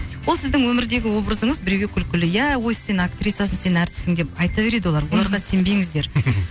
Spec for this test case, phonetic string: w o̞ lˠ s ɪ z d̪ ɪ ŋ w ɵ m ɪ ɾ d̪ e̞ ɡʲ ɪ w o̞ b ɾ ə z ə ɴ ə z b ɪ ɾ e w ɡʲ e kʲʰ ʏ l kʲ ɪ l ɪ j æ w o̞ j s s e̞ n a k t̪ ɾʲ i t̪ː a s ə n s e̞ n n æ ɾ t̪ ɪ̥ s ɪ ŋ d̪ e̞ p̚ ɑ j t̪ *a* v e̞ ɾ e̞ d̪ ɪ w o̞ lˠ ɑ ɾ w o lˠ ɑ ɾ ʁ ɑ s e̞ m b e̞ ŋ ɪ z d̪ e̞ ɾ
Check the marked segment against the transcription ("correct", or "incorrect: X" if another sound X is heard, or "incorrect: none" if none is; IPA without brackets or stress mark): incorrect: ɑ